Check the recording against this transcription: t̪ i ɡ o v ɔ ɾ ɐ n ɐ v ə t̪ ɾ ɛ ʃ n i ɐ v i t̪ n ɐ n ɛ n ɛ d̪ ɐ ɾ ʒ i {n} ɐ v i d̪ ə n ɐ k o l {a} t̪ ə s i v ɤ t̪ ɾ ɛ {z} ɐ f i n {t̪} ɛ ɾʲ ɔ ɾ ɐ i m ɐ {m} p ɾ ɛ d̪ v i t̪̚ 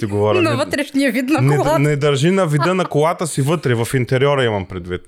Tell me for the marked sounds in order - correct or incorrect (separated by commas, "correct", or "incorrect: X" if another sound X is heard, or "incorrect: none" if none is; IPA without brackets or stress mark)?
correct, correct, incorrect: v, correct, correct